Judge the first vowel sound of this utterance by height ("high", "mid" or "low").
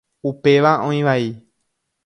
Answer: high